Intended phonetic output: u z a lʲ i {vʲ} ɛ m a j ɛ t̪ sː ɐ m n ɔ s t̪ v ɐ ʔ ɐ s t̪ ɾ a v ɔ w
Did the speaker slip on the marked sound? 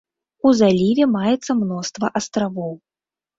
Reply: no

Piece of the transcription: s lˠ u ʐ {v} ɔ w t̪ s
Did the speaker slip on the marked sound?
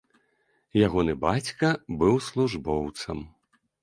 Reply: yes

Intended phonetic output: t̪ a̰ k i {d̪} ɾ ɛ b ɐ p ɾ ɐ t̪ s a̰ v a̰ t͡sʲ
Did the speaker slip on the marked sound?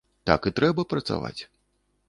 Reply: yes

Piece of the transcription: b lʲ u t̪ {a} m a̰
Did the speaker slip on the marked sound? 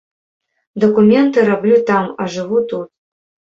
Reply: no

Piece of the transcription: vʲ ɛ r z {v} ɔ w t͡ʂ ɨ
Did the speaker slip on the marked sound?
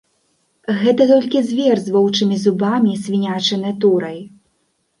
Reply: no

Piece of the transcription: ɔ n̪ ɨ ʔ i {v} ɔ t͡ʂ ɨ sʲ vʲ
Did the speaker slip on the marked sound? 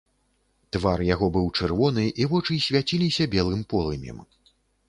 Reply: no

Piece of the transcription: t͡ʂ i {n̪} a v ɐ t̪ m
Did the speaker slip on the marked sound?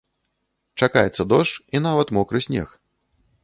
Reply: no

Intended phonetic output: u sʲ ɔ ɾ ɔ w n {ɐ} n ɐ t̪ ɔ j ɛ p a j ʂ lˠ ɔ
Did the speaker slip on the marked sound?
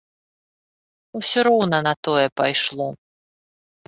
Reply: no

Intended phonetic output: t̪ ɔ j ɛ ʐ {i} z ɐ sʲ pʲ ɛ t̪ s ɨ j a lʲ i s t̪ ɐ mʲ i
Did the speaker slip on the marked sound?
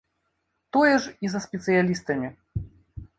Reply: no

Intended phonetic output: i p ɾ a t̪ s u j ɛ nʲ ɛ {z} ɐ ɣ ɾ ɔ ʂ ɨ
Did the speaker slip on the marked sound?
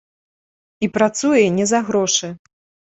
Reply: no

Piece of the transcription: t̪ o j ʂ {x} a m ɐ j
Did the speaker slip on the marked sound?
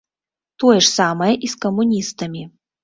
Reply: yes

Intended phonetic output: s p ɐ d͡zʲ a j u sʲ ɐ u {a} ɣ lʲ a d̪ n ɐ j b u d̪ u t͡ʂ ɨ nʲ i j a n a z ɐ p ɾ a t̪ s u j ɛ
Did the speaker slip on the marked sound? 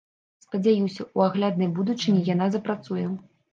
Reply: no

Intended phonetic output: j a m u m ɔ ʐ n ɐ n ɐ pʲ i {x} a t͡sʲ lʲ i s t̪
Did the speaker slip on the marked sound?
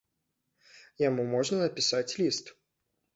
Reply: yes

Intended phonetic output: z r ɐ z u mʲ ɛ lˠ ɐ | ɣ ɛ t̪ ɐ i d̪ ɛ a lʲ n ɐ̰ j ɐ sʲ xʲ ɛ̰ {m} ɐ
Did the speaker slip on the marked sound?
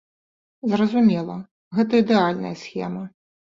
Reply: no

